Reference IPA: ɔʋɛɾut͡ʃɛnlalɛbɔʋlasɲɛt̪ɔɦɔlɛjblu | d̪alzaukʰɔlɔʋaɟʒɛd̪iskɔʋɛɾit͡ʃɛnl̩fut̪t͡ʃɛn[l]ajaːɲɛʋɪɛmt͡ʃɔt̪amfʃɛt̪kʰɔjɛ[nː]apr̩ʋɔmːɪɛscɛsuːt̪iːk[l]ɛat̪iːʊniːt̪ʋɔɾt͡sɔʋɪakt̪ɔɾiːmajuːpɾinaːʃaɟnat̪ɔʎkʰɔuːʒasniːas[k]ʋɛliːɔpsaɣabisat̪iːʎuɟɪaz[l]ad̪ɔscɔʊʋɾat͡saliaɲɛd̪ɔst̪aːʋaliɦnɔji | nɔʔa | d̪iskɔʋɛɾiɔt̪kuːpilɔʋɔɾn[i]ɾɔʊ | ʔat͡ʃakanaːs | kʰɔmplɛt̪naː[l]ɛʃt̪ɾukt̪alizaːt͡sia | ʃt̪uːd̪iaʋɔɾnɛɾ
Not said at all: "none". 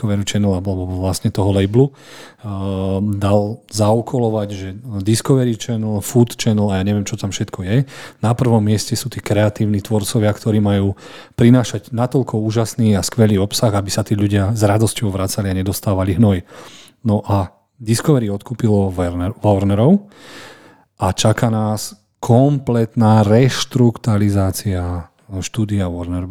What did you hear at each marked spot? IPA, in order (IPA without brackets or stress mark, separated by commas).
l, n, ɾ, k, ɾ, ɛ, ɾ